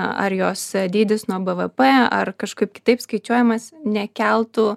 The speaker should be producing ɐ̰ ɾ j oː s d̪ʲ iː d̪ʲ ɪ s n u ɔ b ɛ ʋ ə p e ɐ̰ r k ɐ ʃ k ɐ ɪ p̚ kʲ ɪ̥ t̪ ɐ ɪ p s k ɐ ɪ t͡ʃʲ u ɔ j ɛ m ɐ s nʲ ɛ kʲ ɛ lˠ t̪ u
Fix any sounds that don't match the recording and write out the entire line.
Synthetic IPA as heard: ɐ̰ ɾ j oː s d̪ʲ iː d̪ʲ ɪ s n u ɔ b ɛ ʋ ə p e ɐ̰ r k ɐ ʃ k ɐ ɪ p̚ kʲ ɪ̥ t̪ ɐ ɪ p s k ɐ ɪ t͡ʃʲ u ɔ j ɛ m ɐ s nʲ ɛ kʲ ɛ lˠ t̪ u